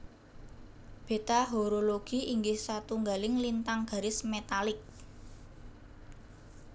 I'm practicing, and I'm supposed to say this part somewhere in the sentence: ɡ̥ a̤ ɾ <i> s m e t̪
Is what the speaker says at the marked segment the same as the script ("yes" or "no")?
no